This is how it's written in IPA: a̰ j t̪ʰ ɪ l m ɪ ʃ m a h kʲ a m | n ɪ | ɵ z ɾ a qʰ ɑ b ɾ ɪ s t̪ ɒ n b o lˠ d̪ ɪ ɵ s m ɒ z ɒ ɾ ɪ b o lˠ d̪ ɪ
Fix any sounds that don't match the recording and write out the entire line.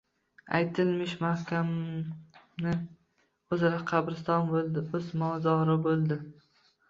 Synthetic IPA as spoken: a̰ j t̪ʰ ɪ l m ɪ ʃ m a h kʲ a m | n ɪ | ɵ z ɾ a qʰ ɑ b ɾ ɪ s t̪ ɒ n b o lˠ d̪ ɪ ɵ z m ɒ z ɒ ɾ ɪ b o lˠ d̪ ɪ

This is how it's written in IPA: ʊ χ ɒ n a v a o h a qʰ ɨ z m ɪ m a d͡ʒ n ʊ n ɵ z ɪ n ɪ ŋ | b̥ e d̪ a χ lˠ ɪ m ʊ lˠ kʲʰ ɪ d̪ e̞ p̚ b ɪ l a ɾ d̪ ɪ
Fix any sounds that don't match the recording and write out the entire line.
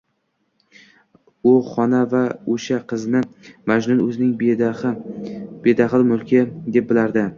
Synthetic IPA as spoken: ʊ χ ɒ n a v a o ʃ a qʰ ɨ z n ɪ m a d͡ʒ n ʊ n ɵ z ɪ n ɪ ŋ | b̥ e d̪ a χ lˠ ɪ m ʊ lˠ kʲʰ ɪ d̪ e̞ p̚ b ɪ l a ɾ d̪ ɪ

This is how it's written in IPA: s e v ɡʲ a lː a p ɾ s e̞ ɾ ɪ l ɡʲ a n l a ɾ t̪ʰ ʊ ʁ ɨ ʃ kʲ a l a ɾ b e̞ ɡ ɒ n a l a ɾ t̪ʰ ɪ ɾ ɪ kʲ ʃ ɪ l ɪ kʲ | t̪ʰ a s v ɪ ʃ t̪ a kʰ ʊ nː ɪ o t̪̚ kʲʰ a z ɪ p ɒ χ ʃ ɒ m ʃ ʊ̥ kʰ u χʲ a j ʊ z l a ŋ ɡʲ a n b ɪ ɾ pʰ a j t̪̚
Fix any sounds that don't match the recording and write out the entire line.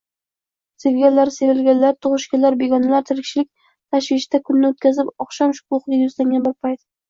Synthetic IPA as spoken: s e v ɡʲ a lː a ɾ s e̞ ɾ ɪ l ɡʲ a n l a ɾ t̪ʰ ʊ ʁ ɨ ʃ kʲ a l a ɾ b e̞ ɡ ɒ n a l a ɾ t̪ʰ ɪ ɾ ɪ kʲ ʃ ɪ l ɪ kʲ | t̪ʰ a ʃ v ɪ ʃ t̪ a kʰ ʊ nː ɪ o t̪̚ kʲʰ a z ɪ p ɒ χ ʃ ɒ m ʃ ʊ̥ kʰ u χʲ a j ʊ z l a ŋ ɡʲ a n b ɪ ɾ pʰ a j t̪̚

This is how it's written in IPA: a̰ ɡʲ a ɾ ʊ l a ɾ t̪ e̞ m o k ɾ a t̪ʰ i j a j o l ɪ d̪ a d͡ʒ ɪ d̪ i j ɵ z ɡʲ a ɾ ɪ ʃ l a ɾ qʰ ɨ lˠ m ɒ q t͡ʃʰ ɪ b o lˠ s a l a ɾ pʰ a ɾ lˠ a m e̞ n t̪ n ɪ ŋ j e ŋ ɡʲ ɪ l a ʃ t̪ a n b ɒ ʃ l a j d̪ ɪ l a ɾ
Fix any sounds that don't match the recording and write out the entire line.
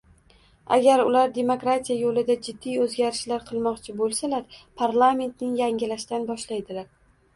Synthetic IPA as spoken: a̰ ɡʲ a ɾ ʊ l a ɾ d̪ e̞ m o k ɾ a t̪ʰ i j a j o l ɪ d̪ a d͡ʒ ɪ d̪ː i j ɵ z ɡʲ a ɾ ɪ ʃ l a ɾ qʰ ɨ lˠ m ɒ q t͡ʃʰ ɪ b o lˠ s a l a ɾ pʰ a ɾ lˠ a m e̞ n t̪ n ɪ ŋ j a ŋ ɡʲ ɪ l a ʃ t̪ a n b ɒ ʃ l a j d̪ ɪ l a ɾ

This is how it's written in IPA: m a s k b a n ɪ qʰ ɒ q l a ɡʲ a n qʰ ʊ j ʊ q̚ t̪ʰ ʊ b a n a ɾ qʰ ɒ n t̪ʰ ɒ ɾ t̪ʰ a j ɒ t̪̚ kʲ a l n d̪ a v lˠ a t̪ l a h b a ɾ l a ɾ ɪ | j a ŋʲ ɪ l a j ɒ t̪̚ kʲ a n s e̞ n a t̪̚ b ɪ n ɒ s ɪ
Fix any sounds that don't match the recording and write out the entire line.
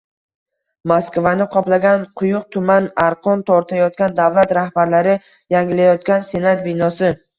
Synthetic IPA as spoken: m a s k v a n ɪ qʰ ɒ p l a ɡʲ a n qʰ ʊ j ʊ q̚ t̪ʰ ʊ m a n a ɾ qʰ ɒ n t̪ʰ ɒ ɾ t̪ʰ a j ɒ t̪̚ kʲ a n d̪ a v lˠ a t̪ ɾ a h b a ɾ l a ɾ ɪ | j a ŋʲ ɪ l a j ɒ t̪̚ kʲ a n s e̞ n a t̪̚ b ɪ n ɒ s ɪ

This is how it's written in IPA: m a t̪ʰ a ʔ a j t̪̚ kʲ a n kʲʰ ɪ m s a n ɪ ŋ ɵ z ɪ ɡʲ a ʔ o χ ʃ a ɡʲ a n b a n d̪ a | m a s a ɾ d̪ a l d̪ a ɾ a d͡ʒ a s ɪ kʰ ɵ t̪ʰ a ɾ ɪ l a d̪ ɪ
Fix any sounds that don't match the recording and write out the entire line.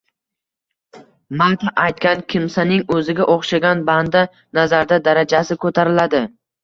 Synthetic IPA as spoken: m a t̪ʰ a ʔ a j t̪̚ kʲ a n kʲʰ ɪ m s a n ɪ ŋ ɵ z ɪ ɡʲ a ʔ o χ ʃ a ɡʲ a n b a n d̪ a | n a z a ɾ d̪ a d̪ a ɾ a d͡ʒ a s ɪ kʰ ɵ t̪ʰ a ɾ ɪ l a d̪ ɪ

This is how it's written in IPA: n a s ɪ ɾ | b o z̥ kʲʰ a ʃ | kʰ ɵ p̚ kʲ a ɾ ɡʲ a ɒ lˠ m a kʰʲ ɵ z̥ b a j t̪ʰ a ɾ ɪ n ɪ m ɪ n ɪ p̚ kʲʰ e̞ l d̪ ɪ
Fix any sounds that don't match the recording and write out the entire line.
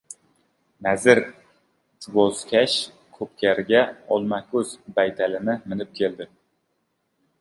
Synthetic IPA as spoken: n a z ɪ ɾ | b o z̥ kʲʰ a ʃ | kʰ ɵ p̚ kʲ a ɾ ɡʲ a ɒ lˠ m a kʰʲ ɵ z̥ b a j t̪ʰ a l ɪ n ɪ m ɪ n ɪ p̚ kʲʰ e̞ l d̪ ɪ

